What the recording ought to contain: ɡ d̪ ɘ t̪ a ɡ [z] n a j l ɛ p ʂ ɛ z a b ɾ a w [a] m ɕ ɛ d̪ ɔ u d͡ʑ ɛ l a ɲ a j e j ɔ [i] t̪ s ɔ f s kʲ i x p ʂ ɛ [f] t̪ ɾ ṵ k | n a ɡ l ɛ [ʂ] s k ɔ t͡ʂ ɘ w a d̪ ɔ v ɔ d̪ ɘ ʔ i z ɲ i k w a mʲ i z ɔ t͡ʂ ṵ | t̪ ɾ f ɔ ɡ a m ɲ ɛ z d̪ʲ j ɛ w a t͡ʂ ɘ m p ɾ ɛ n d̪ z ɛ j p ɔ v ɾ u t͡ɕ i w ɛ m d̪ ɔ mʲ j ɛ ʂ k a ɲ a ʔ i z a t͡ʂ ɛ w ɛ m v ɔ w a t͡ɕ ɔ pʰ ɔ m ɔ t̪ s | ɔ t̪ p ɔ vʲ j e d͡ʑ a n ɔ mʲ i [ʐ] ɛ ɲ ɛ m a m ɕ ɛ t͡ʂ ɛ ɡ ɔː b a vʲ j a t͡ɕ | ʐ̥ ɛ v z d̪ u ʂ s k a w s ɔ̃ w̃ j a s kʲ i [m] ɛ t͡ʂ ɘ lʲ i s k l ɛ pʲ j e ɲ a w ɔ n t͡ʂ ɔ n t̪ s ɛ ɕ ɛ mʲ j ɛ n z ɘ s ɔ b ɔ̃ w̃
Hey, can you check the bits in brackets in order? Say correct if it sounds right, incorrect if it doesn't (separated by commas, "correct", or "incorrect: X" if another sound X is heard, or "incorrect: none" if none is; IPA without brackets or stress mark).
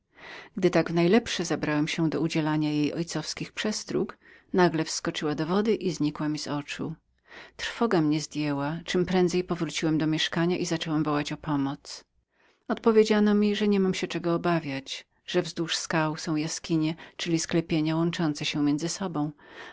incorrect: v, incorrect: ɛ, incorrect: j, incorrect: s, incorrect: f, correct, incorrect: ɲ